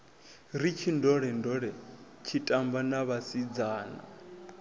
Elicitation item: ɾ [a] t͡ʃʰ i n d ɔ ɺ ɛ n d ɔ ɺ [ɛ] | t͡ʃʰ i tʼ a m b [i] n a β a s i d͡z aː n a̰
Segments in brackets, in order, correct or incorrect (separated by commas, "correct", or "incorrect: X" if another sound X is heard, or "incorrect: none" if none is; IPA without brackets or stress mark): incorrect: i, correct, incorrect: a